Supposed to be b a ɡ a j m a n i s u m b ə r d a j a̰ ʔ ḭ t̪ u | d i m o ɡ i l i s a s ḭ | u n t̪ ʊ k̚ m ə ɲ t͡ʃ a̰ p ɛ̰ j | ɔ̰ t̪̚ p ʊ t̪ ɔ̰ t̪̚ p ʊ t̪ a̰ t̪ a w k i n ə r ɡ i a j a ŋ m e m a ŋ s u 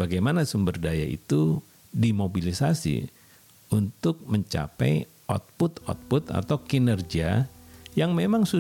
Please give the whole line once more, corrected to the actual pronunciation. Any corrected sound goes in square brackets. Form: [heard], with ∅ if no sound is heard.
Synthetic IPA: b a ɡ a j m a n [a] s u m b ə r d a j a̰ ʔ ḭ t̪ u | d i m o [b] i l i s a s ḭ | u n t̪ ʊ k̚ m ə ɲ t͡ʃ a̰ p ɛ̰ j | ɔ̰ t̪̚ p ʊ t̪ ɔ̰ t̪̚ p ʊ t̪ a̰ t̪ a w k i n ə r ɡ i a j a ŋ m e m a ŋ s u